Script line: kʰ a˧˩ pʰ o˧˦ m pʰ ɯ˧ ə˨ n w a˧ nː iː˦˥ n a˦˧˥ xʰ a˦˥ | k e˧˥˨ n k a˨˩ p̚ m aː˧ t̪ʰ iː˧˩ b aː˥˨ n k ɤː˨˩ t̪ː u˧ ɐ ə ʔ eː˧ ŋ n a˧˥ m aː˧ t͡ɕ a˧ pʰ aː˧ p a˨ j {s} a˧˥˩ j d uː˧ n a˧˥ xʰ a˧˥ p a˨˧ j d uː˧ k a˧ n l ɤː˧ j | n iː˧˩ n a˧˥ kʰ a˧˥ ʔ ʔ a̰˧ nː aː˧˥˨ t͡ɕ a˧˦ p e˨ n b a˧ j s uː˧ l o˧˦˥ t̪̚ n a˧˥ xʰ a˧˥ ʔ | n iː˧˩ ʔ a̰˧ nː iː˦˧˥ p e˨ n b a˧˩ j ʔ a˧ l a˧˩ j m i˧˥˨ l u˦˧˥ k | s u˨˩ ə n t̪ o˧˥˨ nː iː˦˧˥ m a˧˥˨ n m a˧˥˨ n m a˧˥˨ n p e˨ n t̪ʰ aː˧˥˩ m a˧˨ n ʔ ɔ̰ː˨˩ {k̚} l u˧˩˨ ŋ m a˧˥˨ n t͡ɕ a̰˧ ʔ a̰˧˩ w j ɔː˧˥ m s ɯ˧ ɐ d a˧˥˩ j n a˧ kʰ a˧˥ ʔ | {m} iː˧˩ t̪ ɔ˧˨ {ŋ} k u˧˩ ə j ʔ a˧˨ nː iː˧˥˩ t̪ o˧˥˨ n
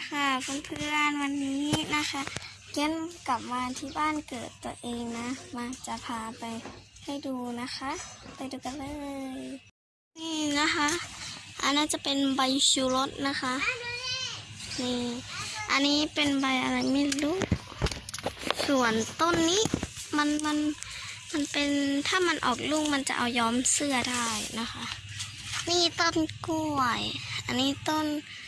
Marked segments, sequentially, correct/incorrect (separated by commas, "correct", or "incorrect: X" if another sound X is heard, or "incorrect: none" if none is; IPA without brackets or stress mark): incorrect: h, correct, incorrect: n, incorrect: n